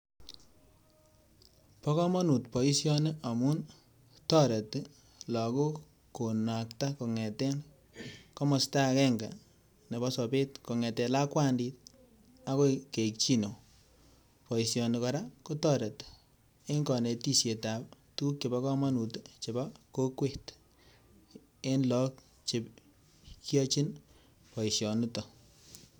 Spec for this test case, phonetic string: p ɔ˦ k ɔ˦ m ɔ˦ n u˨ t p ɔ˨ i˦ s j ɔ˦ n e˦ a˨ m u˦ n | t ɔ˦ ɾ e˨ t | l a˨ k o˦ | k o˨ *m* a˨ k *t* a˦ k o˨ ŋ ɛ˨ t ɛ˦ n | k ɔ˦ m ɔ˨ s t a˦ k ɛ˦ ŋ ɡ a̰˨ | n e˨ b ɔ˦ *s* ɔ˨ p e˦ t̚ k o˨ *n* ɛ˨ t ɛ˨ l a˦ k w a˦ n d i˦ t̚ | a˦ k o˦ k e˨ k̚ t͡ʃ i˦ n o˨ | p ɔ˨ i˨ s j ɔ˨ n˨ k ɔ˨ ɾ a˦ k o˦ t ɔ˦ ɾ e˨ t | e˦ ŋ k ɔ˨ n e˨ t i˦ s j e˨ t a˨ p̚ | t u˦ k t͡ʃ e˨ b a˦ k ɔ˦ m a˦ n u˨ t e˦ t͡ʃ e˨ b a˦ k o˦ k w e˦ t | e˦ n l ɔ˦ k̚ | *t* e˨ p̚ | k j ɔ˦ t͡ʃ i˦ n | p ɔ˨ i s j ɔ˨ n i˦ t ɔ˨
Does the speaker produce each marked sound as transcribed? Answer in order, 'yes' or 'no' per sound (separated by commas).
no, yes, yes, no, no